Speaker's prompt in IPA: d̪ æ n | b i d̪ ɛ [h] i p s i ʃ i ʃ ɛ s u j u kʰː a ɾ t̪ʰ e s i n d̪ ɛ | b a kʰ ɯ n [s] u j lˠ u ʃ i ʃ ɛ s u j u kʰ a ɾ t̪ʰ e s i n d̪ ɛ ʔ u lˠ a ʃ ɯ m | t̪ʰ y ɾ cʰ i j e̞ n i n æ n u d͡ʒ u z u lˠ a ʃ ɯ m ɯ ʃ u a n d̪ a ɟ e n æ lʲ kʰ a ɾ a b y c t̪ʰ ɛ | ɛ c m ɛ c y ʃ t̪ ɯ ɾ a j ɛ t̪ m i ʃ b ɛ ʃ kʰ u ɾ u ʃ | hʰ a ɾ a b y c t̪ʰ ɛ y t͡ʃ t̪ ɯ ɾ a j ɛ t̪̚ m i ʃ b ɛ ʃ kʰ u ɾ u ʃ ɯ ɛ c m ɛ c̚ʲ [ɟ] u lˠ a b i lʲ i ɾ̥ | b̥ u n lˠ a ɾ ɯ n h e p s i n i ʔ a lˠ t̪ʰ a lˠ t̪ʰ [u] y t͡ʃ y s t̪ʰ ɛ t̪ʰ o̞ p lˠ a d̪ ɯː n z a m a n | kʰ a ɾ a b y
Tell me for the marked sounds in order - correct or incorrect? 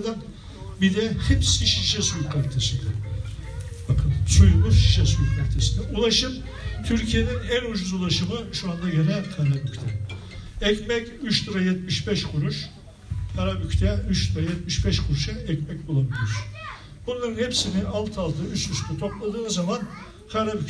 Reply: correct, correct, incorrect, incorrect

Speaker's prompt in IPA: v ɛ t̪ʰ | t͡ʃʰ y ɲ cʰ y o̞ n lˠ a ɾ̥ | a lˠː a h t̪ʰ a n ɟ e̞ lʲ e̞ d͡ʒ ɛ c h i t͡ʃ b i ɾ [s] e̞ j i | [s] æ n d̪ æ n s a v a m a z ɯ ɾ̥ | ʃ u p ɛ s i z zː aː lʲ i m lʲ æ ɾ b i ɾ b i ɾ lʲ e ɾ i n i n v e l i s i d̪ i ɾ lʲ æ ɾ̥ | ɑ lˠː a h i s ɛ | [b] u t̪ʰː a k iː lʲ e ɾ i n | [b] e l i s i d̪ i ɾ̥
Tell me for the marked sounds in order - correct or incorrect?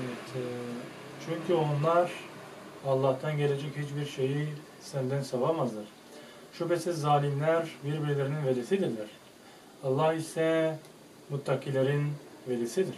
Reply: incorrect, correct, incorrect, incorrect

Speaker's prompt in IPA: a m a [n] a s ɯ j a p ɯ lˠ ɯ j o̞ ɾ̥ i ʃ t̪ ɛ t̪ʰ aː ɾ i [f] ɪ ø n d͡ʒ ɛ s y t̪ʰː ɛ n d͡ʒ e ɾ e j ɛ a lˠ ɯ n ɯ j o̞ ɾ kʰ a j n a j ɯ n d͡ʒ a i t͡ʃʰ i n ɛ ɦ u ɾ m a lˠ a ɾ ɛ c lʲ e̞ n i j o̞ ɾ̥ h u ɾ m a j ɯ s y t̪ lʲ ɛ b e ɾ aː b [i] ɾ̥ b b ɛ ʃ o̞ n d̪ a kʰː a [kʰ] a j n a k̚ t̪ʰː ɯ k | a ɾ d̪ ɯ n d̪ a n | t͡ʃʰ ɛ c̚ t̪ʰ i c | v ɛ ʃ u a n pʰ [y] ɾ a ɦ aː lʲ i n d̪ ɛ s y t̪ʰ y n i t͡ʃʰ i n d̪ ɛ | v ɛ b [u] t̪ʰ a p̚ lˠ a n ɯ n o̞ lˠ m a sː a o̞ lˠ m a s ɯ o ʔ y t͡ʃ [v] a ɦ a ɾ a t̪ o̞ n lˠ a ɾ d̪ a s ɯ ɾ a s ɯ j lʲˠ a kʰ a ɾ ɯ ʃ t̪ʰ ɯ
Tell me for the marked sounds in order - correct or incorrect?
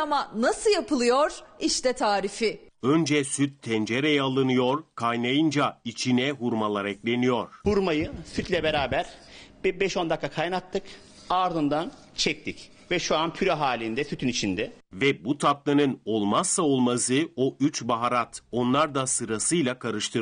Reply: correct, correct, incorrect, correct, correct, correct, incorrect

